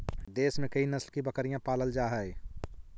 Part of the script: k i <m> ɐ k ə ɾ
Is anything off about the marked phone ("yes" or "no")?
yes